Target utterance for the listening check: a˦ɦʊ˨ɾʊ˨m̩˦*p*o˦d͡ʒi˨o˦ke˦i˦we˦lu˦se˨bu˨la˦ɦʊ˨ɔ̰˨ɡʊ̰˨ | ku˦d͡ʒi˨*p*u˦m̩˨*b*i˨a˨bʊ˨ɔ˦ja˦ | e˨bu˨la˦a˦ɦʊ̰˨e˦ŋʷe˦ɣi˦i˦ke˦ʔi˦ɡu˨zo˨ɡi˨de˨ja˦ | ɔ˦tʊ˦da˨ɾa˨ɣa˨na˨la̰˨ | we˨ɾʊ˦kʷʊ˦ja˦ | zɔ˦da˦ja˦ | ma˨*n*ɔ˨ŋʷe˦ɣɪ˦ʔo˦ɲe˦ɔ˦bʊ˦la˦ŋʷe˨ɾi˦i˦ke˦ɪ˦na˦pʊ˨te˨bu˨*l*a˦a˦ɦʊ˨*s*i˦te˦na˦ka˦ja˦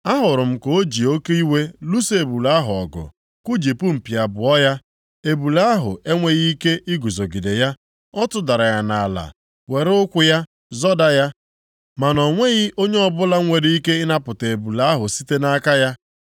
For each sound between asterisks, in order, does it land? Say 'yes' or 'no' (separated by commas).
no, yes, no, yes, yes, yes